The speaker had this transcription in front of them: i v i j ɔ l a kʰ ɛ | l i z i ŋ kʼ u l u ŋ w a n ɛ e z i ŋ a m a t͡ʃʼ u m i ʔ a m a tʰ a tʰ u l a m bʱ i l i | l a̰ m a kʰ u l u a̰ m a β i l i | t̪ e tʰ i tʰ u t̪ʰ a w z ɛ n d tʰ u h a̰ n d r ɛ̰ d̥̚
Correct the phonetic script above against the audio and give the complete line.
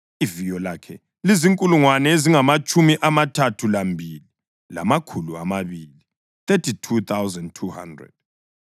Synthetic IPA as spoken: i v i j ɔ l a kʰ ɛ | l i z i ŋ kʼ u l u ŋ w a n ɛ e z i ŋ a m a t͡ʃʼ u m i ʔ a m a tʰ a tʰ u l a m bʱ i l i | l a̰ m a kʰ u l u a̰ m a β i l i | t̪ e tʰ i tʰ u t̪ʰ a w z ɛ n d tʰ u h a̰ n d r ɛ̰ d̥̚